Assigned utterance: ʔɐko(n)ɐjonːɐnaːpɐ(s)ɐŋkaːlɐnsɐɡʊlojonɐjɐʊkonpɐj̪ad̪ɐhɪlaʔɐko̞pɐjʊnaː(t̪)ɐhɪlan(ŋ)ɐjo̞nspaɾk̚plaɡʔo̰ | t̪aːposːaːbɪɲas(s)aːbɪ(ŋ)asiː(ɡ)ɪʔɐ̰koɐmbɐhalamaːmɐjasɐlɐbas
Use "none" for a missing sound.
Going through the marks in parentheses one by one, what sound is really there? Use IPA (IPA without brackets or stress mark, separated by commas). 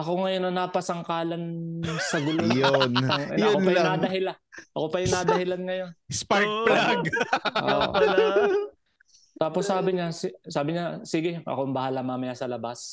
ŋ, s, d̪, ŋ, s, ɲ, ɡ